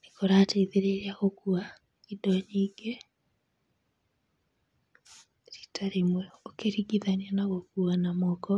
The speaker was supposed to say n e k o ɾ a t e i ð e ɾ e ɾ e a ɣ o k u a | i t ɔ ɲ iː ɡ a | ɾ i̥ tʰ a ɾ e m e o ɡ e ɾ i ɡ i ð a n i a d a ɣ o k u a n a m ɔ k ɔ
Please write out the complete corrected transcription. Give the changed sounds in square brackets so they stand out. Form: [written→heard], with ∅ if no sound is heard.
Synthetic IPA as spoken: n e k o ɾ a t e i ð e ɾ e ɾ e a ɣ o k u a | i [t→d] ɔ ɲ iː ɡ [a→e] | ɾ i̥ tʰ a ɾ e m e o [ɡ→k] e ɾ i ɡ i ð a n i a [d→n] a ɣ o k u a n a m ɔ k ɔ